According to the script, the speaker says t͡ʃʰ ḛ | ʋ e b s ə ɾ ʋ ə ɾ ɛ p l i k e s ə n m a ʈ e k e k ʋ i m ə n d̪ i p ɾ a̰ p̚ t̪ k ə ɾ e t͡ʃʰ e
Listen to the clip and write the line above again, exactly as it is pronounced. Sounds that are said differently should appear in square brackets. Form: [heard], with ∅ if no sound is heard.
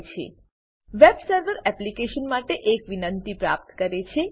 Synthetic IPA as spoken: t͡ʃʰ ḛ | ʋ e b s ə ɾ ʋ ə ɾ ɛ p l i k e [ʃ] ə n m a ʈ e [ʔ] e k ʋ i [n] ə n [t̪] i p ɾ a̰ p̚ t̪ k ə ɾ e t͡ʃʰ e

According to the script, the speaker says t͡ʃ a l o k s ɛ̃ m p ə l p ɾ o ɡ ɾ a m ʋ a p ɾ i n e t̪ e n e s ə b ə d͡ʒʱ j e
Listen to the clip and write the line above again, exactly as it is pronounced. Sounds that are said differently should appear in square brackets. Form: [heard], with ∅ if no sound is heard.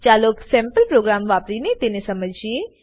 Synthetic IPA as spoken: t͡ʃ a l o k s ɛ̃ m p ə l p ɾ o ɡ ɾ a m ʋ a p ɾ i n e t̪ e n e s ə [m] ə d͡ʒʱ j e

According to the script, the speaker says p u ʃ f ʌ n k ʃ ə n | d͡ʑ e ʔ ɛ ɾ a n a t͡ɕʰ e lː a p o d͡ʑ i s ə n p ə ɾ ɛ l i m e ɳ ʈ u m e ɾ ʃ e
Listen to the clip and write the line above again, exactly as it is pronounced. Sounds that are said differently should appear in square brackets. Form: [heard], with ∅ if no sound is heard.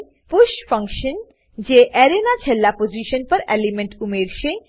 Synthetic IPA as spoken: p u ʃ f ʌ [ŋ] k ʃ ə n | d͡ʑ e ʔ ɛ ɾ [e] n a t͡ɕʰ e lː a p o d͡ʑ i [ʃ] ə n p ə ɾ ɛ l i m e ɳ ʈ u m e ɾ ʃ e

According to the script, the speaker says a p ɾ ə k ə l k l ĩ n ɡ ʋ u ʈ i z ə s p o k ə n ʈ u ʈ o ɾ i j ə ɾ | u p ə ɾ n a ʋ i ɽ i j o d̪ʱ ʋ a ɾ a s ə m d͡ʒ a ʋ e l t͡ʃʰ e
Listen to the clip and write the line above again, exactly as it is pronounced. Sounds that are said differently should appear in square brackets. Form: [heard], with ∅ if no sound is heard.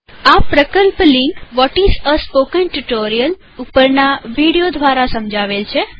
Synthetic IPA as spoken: a p ɾ ə k ə l [p] l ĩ [ŋ] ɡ ʋ [ɔ] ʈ i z ə s p o k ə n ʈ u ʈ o ɾ i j ə [l] | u p ə ɾ n a ʋ i ɽ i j o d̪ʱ ʋ a ɾ a s ə m d͡ʒ a ʋ e l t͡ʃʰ e

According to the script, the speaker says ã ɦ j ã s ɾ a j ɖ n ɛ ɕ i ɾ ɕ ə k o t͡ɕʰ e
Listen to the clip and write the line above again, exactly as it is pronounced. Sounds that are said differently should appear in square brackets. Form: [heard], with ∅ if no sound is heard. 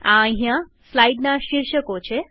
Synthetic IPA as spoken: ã ɦ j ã s [l] a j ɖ n [a] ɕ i ɾ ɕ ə k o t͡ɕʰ e

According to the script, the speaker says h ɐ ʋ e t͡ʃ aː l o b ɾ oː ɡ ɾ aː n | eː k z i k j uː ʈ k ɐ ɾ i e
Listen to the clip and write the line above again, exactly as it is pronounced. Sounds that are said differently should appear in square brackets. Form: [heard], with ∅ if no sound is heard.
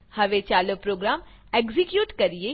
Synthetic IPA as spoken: h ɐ ʋ e t͡ʃ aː l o [p] ɾ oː ɡ ɾ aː [m] | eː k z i k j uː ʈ k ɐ ɾ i e

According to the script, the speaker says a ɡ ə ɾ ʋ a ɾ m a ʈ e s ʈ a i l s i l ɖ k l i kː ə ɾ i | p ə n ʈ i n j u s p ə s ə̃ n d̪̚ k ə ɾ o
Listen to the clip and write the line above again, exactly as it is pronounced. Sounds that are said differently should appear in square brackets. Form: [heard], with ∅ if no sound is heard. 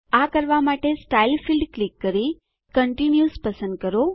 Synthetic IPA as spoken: a [k] ə ɾ ʋ a [∅] m a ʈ e s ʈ a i l [f] i l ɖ k l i kː ə ɾ i | [k] ə [ɳ] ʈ i n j u s p ə s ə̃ n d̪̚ k ə ɾ o

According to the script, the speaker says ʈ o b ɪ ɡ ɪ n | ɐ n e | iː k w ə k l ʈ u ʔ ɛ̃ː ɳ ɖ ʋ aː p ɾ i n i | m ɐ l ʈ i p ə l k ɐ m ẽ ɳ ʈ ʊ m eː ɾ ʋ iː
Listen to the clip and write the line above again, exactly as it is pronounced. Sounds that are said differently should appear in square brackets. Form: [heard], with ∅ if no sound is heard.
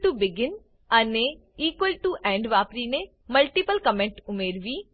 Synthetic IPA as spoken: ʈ [u] b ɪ ɡ ɪ n | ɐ n e | iː k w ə [∅] l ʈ u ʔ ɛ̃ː ɳ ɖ ʋ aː p ɾ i n [e] | m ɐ l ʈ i p ə l k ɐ m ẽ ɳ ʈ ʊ m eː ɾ ʋ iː

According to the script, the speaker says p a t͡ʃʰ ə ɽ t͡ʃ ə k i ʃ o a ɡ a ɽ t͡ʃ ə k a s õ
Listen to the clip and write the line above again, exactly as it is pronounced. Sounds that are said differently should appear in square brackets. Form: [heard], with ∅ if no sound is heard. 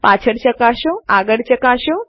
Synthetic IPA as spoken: p a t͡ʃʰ ə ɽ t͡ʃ ə k [a] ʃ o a ɡ [ə] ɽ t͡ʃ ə k a [ʃ] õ

